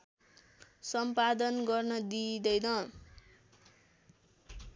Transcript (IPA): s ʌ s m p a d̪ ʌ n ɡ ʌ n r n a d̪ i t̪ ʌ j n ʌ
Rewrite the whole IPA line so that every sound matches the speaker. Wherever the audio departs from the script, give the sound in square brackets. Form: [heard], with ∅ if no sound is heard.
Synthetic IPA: s ʌ [∅] m p a d̪ ʌ n ɡ ʌ [∅] r n [ʌ] d̪ i [d̪] ʌ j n ʌ